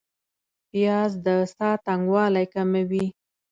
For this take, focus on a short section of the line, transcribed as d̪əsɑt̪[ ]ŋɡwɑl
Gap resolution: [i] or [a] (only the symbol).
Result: a